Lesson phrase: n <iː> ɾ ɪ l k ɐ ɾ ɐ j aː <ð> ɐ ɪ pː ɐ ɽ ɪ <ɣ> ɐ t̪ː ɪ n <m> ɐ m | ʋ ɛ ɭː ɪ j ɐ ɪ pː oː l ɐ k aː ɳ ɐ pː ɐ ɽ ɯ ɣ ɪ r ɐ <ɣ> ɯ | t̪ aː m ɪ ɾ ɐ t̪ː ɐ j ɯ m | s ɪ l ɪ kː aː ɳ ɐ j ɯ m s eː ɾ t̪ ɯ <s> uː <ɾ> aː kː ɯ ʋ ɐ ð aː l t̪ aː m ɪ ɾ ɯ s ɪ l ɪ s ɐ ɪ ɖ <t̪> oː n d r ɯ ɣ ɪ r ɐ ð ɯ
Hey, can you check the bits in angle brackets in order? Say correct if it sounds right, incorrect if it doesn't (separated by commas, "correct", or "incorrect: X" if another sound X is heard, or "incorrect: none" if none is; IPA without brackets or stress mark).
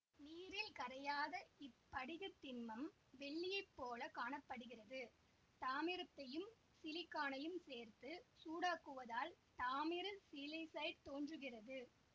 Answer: correct, correct, correct, correct, incorrect: ð, correct, incorrect: ɽ, correct